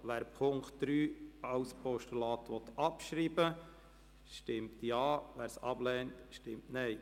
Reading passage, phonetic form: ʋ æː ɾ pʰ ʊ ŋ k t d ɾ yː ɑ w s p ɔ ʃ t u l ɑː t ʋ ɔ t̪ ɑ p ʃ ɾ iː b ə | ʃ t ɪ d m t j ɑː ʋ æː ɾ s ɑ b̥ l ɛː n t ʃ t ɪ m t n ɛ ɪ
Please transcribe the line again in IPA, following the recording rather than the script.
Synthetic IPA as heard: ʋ æː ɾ pʰ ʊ ŋ k t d ɾ yː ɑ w s p ɔ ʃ t u l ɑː t ʋ ɔ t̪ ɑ p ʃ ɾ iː b ə | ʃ t ɪ m t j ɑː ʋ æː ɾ s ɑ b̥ l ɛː n t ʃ t ɪ m t n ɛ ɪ